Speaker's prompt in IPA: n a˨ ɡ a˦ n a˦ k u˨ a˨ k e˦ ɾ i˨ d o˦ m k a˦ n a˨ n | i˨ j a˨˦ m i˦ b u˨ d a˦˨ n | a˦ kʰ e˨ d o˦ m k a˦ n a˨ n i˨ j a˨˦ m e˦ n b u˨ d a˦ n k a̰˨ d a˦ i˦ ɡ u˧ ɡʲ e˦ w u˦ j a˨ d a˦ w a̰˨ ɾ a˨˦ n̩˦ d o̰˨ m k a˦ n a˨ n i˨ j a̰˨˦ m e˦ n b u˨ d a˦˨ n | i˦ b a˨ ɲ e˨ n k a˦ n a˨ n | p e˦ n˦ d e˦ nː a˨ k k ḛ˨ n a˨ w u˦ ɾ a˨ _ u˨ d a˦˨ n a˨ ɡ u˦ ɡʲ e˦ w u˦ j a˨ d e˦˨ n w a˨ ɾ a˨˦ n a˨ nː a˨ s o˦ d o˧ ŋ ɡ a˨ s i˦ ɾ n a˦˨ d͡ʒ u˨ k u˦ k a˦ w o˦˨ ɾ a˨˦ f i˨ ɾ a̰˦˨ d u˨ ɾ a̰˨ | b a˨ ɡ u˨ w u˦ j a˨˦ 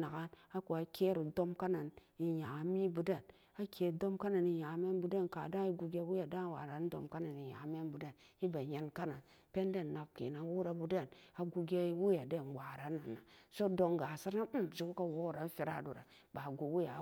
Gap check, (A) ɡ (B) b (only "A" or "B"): B